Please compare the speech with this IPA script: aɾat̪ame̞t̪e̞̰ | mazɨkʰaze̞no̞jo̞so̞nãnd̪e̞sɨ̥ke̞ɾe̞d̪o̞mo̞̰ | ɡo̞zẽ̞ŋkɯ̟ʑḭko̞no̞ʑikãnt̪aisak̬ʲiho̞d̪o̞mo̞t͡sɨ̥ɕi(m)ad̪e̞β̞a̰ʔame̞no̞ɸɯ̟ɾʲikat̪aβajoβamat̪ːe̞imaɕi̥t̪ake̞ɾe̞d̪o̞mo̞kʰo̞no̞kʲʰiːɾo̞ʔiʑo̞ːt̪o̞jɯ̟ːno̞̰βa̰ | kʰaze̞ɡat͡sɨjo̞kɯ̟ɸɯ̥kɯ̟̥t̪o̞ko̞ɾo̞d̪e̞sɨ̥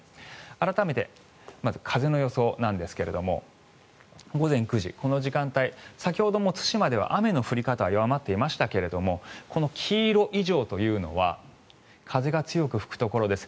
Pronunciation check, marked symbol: correct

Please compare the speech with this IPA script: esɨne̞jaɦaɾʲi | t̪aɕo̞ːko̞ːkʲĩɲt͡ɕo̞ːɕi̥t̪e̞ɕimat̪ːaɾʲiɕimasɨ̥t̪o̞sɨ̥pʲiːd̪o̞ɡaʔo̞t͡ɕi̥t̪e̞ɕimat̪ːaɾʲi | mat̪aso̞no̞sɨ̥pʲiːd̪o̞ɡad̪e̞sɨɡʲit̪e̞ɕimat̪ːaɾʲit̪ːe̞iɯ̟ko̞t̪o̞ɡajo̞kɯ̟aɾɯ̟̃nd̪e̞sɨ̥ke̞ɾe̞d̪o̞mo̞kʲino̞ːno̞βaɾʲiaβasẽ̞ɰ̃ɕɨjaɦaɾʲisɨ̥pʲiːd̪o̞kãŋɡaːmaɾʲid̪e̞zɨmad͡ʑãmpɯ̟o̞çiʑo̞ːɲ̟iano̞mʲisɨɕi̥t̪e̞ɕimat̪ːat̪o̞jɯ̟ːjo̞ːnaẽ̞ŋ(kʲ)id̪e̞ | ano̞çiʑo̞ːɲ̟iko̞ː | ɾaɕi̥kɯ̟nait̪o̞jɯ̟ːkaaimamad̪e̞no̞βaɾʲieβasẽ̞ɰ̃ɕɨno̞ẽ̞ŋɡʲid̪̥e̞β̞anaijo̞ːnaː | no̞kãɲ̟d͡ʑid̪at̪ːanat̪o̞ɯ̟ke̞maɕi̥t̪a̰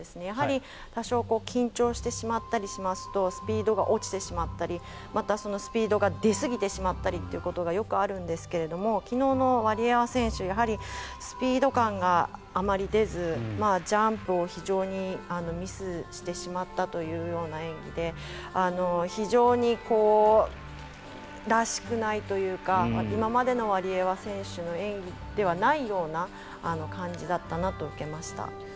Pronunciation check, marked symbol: incorrect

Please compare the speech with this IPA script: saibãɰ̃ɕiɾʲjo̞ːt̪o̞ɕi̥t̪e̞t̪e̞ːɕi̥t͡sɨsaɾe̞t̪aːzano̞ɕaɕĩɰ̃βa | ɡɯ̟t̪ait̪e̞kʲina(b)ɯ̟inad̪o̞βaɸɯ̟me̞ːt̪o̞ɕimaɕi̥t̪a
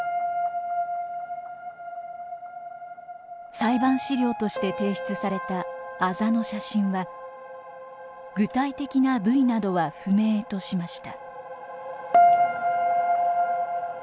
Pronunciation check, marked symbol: correct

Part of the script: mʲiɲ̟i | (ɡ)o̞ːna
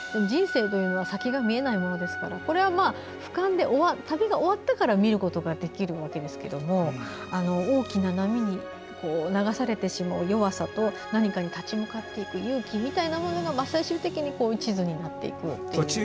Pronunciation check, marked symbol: incorrect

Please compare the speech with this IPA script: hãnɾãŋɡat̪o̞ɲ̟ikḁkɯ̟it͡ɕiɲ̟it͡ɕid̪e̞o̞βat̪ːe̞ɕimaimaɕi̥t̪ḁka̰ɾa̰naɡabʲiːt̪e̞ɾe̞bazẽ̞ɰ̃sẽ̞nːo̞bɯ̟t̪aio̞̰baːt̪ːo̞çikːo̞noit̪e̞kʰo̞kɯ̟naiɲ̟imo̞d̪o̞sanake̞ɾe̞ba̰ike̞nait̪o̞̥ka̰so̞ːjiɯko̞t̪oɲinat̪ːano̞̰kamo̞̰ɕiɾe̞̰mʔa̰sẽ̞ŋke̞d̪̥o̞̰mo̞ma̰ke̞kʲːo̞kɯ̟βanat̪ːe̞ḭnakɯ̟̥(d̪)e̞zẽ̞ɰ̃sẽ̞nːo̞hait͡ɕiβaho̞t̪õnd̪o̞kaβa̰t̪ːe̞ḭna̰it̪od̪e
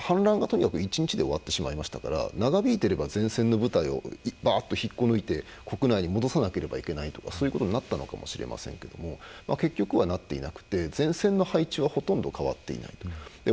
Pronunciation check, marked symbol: incorrect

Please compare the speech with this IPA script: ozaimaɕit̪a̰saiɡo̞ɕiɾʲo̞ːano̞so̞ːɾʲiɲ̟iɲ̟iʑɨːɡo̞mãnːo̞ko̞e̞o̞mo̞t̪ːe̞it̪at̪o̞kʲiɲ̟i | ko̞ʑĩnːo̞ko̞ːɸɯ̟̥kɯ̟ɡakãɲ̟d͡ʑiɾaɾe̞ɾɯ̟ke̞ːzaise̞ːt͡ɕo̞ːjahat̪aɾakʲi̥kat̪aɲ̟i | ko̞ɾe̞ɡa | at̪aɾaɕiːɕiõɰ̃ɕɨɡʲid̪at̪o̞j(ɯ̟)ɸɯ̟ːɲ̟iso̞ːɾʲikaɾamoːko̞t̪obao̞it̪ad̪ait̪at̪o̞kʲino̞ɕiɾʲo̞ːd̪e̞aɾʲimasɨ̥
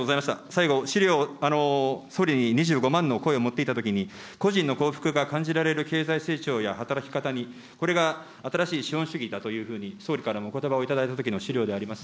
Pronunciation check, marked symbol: incorrect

